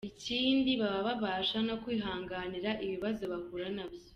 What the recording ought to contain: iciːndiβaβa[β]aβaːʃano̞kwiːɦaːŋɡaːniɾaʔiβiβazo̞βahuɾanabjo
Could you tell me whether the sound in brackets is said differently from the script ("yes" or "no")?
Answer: no